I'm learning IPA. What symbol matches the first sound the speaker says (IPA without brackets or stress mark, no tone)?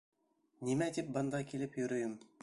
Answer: n